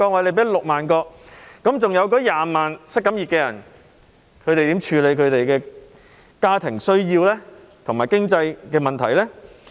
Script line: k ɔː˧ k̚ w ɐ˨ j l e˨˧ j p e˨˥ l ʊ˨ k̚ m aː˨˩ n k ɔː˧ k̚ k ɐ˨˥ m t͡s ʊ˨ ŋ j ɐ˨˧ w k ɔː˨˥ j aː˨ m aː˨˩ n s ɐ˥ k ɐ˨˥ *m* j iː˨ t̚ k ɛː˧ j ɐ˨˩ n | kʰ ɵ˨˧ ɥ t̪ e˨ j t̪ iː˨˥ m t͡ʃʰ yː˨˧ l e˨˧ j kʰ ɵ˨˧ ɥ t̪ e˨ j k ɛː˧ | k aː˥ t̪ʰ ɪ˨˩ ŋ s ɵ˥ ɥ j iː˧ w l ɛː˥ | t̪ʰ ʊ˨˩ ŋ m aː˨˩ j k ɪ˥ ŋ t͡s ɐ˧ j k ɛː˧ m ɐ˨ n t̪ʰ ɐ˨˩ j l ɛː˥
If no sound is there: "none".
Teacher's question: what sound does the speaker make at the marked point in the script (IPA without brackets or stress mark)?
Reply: m